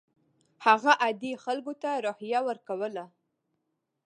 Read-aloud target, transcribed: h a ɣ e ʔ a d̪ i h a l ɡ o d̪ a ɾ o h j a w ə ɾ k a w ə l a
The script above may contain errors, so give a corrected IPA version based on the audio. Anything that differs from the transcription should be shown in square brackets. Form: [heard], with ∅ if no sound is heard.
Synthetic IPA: h a ɣ [a] ʔ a d̪ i [x] a l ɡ o [t̪] a ɾ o h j a w ə ɾ k a w ə l a